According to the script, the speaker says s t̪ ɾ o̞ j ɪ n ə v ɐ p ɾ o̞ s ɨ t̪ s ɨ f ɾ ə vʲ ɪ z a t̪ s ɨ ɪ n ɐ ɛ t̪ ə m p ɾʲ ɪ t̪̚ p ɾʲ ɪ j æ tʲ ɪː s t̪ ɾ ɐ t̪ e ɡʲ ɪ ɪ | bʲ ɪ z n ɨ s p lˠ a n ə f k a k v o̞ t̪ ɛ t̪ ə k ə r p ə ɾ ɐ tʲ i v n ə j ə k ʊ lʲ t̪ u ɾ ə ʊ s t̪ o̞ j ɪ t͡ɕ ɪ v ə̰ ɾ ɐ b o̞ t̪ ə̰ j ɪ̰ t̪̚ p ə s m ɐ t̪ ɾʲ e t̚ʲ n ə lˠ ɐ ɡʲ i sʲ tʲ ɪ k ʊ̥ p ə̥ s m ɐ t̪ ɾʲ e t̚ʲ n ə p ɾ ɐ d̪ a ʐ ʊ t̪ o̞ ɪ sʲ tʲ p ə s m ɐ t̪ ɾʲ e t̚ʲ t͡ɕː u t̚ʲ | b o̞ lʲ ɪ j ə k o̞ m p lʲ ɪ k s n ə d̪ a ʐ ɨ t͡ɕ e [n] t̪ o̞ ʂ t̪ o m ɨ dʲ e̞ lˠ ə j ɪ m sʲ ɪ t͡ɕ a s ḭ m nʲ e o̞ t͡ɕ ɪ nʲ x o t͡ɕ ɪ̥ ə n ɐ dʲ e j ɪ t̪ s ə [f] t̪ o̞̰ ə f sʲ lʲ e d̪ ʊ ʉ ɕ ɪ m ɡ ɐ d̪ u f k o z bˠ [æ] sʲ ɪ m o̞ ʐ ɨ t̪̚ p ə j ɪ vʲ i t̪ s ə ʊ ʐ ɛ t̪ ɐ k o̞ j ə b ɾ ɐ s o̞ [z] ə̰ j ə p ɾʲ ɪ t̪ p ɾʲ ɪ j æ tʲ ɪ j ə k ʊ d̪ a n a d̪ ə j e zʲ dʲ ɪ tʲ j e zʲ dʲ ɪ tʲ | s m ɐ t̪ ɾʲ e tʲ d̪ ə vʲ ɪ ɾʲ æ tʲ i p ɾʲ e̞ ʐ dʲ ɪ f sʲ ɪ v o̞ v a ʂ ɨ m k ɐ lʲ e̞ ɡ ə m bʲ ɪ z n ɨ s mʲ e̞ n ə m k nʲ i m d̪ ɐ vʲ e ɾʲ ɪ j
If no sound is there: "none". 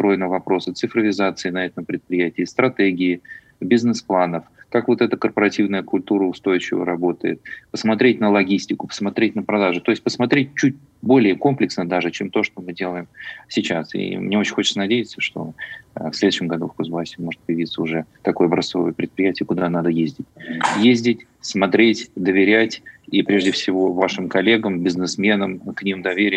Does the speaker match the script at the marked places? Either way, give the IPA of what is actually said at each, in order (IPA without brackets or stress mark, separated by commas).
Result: m, ʂ, a, v